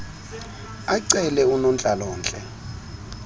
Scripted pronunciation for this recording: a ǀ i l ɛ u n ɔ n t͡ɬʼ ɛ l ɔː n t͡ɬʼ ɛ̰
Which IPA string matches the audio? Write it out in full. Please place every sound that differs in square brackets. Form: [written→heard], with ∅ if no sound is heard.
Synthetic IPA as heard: a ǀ [i→ɛ] l ɛ u n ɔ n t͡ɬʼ [ɛ→a] l ɔː n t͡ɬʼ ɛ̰